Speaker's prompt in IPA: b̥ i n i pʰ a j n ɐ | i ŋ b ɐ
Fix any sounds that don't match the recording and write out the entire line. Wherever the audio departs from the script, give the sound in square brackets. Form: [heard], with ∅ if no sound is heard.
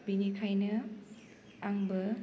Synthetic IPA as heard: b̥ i n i [kʰ] a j n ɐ | [a] ŋ b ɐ